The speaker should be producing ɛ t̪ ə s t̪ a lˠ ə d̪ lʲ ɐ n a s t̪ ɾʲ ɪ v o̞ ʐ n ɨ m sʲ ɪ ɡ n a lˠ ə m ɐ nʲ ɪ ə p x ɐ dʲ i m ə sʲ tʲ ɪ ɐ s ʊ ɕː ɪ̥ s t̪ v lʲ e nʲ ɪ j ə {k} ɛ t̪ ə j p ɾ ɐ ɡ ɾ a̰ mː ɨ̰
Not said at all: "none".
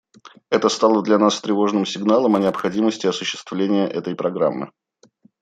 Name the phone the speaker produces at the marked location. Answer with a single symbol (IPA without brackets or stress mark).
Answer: ʔ